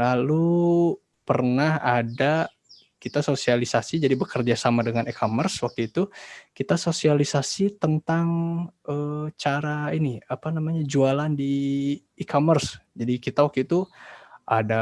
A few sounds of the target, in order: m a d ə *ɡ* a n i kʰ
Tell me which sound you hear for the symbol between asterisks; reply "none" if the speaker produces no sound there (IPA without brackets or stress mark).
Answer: ŋ